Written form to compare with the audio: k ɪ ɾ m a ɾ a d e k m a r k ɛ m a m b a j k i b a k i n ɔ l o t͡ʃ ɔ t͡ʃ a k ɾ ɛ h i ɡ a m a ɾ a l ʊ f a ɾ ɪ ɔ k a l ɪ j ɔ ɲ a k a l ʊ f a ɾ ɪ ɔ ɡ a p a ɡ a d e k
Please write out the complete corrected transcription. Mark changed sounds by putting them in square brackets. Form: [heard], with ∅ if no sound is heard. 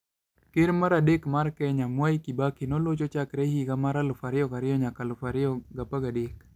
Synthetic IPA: k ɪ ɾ m a ɾ a d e k m a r k ɛ [ɲ] a m [w] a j k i b a k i n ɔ l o t͡ʃ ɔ t͡ʃ a k ɾ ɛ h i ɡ a m a ɾ a l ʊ f a ɾ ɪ ɔ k a [ɾ] ɪ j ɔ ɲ a k a l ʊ f a ɾ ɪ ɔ ɡ a p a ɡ a d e k